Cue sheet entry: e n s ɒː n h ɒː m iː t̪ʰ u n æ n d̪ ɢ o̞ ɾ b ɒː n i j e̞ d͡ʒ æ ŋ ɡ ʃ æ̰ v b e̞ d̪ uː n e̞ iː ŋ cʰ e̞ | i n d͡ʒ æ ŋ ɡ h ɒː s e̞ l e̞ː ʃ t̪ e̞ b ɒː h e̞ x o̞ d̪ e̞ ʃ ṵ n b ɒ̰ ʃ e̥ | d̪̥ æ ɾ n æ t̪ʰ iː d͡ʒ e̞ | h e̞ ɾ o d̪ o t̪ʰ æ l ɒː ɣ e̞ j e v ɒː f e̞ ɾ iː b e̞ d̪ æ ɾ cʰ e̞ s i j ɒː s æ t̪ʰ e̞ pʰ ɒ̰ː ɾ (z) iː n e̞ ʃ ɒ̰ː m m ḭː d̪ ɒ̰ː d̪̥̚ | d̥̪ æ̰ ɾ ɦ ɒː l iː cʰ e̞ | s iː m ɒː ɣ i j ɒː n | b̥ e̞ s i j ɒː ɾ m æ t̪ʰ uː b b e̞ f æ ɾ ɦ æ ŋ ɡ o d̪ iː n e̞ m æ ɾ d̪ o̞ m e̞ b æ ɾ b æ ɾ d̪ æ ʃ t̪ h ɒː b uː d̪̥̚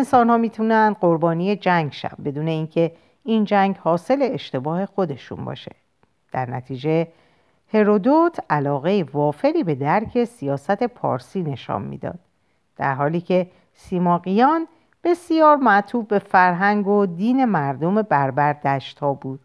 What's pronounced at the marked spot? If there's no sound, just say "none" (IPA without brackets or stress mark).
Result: s